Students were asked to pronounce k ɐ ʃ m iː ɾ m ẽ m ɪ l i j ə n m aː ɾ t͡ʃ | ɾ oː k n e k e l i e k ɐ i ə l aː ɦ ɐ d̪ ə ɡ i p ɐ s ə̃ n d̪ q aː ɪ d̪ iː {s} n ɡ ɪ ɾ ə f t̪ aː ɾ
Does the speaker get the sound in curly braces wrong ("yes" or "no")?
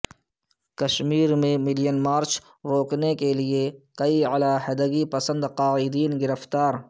yes